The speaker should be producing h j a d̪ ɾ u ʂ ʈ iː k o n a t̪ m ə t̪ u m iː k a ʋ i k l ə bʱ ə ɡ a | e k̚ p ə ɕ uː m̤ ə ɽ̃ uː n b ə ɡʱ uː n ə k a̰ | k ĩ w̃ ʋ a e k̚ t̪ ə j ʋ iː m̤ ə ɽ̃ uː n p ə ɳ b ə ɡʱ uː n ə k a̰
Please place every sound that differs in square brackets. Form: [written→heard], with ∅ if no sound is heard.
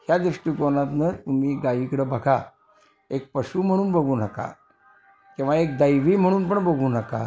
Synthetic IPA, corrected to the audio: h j a d̪ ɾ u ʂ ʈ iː k o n a t̪ [m→n] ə t̪ u m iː [k→ɡ] a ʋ i k [l→ɽ] ə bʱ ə ɡ a | e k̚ p ə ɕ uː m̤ ə ɽ̃ uː n b ə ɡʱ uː n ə k a̰ | k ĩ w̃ ʋ a e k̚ [t̪→d̪] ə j ʋ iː m̤ ə ɽ̃ uː n p ə ɳ b ə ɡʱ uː n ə k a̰